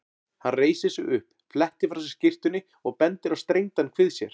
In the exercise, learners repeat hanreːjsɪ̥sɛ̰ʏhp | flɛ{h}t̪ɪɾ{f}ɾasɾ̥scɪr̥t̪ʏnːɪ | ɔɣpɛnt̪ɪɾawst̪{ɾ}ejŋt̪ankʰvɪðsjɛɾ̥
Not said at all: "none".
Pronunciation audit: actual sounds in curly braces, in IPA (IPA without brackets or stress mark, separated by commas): h, f, ɾ